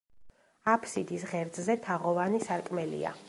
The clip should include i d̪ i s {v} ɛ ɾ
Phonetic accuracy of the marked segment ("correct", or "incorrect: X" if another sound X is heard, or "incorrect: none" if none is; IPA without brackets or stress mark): incorrect: ʁ